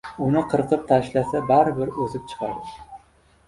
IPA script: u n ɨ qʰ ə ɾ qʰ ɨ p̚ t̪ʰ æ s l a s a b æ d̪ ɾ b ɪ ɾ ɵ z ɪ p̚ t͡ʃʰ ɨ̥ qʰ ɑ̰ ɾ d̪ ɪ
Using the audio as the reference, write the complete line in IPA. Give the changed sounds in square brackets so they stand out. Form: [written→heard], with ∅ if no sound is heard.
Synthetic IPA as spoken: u n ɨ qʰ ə ɾ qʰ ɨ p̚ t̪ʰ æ [s→ʃ] l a s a b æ [d̪→∅] ɾ b ɪ ɾ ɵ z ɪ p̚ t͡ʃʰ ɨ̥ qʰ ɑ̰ ɾ d̪ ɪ